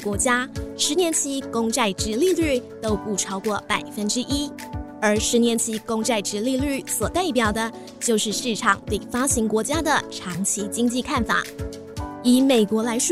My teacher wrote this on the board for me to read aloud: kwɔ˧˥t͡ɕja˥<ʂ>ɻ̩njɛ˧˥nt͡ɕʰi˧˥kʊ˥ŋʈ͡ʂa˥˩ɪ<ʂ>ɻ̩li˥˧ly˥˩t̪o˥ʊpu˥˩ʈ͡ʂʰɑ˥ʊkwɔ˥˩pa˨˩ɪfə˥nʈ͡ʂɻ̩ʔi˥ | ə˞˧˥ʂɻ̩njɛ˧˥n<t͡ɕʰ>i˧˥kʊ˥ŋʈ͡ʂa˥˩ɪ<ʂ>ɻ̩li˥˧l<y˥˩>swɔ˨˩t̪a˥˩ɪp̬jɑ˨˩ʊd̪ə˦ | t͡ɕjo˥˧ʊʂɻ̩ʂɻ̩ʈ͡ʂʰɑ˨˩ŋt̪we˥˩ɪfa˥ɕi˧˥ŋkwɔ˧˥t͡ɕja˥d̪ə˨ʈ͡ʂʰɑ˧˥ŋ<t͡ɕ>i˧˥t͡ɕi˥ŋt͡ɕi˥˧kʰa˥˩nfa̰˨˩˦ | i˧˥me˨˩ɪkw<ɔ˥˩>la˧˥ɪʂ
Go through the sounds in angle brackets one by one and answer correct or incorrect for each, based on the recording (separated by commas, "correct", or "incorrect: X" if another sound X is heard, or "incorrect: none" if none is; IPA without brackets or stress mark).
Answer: correct, incorrect: ʈ͡ʂ, correct, incorrect: ʈ͡ʂ, correct, incorrect: t͡ɕʰ, incorrect: ɔ˧˥